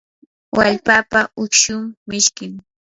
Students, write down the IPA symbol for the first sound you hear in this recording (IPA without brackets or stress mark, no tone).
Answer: w